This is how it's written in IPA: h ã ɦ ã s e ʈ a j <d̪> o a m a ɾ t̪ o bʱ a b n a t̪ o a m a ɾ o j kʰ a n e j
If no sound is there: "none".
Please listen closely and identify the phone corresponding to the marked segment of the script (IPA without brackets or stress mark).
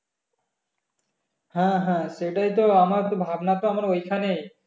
t̪